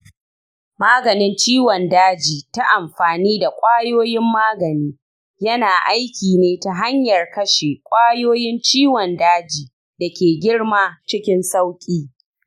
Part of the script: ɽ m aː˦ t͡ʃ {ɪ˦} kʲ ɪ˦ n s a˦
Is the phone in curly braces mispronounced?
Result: no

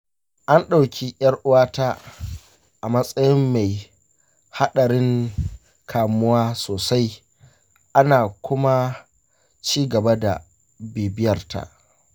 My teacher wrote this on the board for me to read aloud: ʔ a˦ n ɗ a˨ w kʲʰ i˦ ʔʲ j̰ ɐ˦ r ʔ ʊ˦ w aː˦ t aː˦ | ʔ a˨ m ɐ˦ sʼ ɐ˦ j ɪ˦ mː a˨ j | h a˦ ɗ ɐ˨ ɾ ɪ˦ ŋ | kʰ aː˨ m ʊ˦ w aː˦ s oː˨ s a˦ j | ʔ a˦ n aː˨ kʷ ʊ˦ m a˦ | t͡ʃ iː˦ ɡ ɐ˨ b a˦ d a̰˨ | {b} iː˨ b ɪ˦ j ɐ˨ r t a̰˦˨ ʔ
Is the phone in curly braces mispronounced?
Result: no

